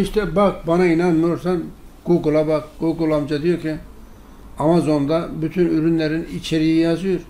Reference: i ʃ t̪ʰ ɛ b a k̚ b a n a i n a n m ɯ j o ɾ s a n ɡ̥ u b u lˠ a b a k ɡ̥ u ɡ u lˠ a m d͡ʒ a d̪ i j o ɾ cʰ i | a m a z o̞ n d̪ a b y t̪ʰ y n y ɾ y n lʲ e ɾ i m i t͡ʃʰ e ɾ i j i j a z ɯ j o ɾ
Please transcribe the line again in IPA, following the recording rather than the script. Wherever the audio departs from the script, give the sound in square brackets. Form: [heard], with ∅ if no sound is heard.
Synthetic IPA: i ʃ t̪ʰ ɛ b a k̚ b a n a i n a n m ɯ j o ɾ s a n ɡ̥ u [ɡ] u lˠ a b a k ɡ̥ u ɡ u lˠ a m d͡ʒ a d̪ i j o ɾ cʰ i | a m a z o̞ n d̪ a b y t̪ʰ y n y ɾ y n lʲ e ɾ i [n] i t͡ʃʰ e ɾ i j i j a z ɯ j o ɾ